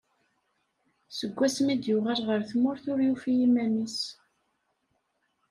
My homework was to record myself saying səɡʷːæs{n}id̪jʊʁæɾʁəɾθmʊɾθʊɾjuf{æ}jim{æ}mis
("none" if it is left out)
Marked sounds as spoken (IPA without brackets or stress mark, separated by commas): m, i, æ